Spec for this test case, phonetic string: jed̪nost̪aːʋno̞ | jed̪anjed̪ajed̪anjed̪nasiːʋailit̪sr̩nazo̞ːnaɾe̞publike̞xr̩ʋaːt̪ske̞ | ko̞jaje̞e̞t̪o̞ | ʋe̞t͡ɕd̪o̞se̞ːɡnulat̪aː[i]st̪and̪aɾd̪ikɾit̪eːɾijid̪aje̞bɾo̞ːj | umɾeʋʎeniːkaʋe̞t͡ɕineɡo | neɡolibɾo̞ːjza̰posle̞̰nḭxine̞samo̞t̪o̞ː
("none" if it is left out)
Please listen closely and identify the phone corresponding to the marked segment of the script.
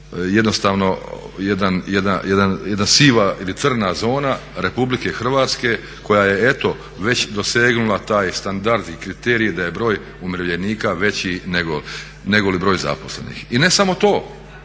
j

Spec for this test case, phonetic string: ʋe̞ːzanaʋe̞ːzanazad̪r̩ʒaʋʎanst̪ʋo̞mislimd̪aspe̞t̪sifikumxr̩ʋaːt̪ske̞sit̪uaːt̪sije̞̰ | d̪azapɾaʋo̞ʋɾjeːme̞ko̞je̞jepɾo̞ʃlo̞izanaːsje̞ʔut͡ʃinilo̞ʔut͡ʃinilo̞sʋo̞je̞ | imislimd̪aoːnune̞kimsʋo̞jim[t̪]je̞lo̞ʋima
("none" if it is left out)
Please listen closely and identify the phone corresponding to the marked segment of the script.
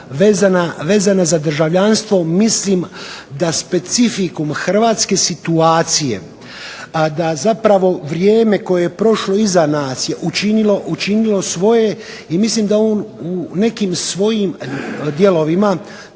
d̪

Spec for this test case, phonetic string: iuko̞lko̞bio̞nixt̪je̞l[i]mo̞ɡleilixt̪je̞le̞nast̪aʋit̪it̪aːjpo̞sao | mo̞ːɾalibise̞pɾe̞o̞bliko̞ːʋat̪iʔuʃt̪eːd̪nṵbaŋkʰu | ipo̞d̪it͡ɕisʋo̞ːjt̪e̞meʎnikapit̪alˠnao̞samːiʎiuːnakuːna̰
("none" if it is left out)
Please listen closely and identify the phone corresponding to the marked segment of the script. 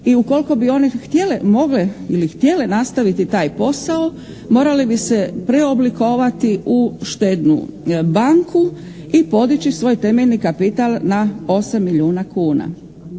e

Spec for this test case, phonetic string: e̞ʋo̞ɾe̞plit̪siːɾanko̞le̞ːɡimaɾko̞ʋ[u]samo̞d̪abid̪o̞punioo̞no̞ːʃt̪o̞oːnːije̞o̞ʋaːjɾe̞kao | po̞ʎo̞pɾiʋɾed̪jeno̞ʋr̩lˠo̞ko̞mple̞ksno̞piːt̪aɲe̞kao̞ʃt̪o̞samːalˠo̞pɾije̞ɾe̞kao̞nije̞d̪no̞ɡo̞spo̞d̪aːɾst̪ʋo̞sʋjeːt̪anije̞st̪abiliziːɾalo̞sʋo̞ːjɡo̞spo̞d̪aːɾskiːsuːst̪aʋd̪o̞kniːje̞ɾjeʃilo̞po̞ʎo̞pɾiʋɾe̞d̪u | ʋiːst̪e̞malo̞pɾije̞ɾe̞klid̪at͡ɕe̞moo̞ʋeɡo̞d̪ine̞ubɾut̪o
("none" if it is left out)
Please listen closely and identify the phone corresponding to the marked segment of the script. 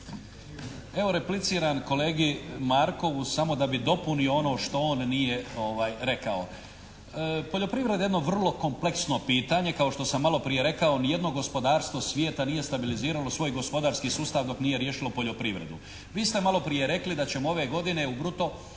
u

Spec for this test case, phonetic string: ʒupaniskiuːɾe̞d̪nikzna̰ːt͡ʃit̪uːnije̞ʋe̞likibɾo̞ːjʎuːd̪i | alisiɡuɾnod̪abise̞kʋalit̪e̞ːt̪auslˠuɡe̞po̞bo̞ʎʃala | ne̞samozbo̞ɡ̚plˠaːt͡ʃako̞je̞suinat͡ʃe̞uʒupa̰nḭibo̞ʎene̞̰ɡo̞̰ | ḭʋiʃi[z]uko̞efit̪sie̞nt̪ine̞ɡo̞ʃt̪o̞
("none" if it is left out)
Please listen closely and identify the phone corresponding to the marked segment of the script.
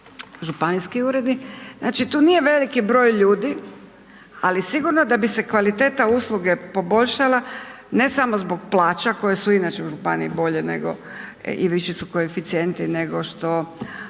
s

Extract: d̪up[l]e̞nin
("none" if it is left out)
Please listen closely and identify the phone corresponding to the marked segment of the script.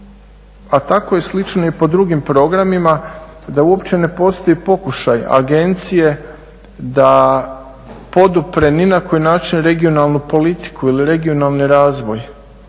ɾ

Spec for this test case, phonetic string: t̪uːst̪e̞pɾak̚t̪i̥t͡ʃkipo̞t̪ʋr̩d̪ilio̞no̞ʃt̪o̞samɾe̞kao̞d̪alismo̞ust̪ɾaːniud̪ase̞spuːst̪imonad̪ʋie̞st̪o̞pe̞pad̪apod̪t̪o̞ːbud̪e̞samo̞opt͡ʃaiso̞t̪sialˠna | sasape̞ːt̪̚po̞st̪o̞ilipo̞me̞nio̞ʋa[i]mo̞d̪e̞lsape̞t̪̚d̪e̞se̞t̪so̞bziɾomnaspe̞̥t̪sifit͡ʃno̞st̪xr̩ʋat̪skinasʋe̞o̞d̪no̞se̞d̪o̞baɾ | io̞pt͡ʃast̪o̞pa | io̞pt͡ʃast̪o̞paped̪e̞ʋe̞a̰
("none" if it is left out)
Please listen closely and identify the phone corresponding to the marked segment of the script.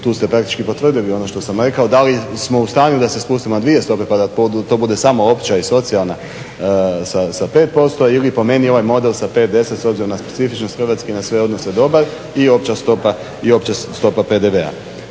j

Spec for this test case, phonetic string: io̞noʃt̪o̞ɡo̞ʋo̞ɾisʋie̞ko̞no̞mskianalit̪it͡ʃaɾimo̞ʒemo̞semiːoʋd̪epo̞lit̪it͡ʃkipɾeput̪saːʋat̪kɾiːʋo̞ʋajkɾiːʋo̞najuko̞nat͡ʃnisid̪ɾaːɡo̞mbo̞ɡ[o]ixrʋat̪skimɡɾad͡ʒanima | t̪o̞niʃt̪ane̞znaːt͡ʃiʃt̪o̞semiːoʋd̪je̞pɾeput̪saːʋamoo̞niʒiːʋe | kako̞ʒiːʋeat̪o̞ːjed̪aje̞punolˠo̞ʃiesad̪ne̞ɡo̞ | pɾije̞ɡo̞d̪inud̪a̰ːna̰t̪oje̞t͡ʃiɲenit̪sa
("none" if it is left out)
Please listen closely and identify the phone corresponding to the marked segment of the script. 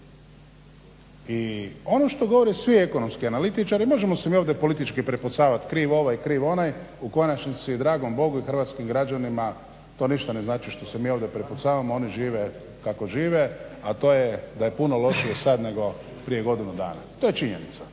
u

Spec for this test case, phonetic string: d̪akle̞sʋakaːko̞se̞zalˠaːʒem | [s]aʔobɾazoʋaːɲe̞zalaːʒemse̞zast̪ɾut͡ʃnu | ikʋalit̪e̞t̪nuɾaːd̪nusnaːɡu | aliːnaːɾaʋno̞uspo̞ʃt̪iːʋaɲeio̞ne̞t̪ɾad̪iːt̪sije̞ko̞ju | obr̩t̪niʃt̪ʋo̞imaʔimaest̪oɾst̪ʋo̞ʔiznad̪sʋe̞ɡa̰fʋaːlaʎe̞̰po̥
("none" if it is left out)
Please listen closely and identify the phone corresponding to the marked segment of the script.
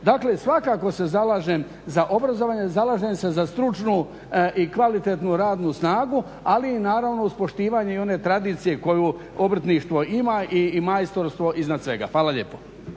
z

